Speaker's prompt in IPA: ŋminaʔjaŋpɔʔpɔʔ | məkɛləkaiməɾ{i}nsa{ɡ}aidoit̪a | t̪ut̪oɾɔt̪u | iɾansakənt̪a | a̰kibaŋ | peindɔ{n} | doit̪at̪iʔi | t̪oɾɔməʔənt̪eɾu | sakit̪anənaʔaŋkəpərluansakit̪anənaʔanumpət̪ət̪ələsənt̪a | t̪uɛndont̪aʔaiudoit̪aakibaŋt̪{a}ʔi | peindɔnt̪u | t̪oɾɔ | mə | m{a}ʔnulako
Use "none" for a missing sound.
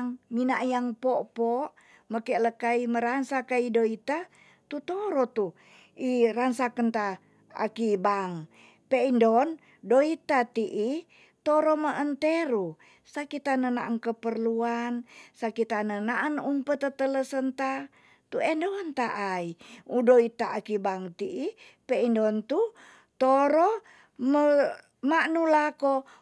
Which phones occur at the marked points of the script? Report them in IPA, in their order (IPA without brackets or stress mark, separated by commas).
a, k, n, i, a